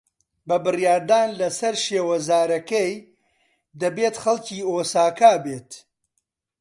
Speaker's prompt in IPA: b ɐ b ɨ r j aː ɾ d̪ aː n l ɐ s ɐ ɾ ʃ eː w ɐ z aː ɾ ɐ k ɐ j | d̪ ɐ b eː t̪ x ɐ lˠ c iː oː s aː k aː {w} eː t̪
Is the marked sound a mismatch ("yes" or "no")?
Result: yes